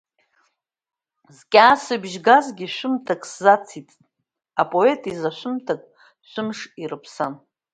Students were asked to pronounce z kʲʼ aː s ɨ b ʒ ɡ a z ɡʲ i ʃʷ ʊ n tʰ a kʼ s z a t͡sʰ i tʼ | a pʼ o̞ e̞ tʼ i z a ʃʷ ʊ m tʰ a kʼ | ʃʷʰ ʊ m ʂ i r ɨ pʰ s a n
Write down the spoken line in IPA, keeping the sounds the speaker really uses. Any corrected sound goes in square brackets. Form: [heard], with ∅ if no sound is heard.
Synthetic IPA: z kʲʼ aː s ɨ b ʒ ɡ a z ɡʲ i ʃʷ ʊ [m] tʰ a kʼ s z a t͡sʰ i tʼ | a pʼ o̞ e̞ tʼ i z a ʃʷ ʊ m tʰ a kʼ | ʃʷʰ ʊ m ʂ i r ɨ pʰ s a n